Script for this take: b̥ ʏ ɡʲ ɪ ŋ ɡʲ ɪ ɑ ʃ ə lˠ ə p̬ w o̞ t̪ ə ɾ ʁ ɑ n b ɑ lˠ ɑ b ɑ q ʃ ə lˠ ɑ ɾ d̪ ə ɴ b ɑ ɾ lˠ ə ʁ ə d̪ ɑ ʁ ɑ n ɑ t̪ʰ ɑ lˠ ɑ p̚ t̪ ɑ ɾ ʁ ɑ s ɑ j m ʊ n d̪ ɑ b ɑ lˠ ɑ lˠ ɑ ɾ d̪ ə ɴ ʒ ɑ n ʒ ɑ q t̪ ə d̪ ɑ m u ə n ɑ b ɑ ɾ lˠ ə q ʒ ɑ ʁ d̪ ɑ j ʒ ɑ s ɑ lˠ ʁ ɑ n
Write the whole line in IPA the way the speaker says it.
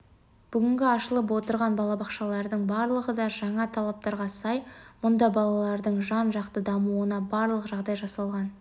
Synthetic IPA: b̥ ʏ ɡʲ ɪ ŋ ɡʲ ɪ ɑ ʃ ə lˠ ə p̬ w o̞ t̪ ə ɾ ʁ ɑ n b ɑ lˠ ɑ b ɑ q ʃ ɑ lˠ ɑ ɾ d̪ ə ɴ b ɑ ɾ lˠ ə ʁ ə d̪ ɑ ʒ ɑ ɴ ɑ t̪ʰ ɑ lˠ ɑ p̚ t̪ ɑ ɾ ʁ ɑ s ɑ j m ʊ n d̪ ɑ b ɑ lˠ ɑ lˠ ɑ ɾ d̪ ə ɴ ʒ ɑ n ʒ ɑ q t̪ ə d̪ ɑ m u ə n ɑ b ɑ ɾ lˠ ə q ʒ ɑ ʁ d̪ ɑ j ʒ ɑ s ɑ lˠ ʁ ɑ n